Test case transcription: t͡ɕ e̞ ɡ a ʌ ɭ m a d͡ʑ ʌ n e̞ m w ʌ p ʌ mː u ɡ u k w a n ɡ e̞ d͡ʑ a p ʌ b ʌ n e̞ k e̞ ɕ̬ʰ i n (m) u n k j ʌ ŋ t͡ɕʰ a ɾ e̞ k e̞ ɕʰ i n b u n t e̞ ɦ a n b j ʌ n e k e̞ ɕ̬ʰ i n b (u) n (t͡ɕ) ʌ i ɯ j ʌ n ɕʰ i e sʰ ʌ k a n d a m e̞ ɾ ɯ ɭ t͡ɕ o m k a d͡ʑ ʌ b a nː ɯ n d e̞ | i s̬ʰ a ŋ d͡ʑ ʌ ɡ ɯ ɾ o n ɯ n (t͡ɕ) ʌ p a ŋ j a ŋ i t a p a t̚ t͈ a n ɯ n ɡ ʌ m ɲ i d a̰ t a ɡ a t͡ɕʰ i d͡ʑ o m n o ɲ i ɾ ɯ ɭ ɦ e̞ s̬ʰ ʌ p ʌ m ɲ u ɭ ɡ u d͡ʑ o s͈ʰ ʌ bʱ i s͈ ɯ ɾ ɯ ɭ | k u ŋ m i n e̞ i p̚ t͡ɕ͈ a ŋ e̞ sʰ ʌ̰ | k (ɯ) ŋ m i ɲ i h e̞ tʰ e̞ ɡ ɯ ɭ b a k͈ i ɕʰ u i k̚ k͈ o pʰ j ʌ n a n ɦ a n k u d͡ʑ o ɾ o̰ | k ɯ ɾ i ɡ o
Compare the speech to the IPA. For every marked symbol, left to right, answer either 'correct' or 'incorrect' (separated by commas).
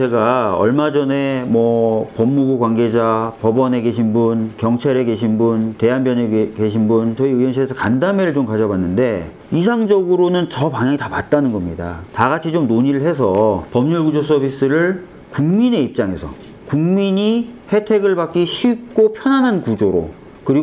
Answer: incorrect, correct, correct, correct, incorrect